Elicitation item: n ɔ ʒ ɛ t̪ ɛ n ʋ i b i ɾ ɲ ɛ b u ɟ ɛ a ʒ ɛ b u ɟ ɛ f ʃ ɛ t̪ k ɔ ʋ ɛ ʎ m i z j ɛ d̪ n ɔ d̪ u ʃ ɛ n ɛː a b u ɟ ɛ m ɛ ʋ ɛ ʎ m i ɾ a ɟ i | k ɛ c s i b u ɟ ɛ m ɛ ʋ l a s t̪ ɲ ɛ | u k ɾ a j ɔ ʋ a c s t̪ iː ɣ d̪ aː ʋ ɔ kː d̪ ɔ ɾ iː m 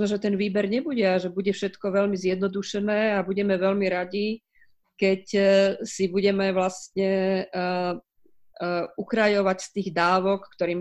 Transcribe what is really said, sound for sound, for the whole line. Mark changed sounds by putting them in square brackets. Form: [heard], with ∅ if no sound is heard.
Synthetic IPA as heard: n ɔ ʒ ɛ t̪ ɛ n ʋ [iː] b [ɛ] ɾ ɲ ɛ b u ɟ ɛ a ʒ ɛ b u ɟ ɛ f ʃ ɛ t̪ k ɔ ʋ ɛ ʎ m i z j ɛ d̪ n ɔ d̪ u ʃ ɛ n ɛː a b u ɟ ɛ m ɛ ʋ ɛ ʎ m i ɾ a ɟ i | k ɛ c s i b u ɟ ɛ m ɛ ʋ l a s t̪ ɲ ɛ | u k ɾ a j ɔ ʋ a c s t̪ iː ɣ d̪ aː ʋ ɔ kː [t̪] ɔ ɾ iː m